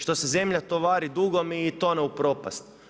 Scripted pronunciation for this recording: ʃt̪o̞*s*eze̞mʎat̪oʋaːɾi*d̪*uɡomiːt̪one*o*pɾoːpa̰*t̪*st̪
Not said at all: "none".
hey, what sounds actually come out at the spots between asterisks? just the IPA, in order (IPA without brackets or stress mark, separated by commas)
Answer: s, d̪, u, none